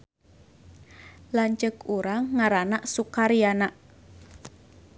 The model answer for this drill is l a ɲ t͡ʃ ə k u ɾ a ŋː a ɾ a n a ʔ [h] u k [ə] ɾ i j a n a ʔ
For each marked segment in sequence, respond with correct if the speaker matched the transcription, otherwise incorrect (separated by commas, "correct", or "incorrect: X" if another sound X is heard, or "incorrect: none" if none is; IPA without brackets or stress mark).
incorrect: s, incorrect: a